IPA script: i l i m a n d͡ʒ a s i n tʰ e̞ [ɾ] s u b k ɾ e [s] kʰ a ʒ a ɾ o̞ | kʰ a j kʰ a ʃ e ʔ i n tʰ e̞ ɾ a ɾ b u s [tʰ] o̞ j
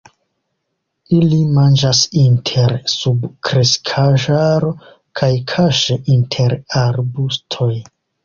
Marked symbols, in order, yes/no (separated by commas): yes, yes, yes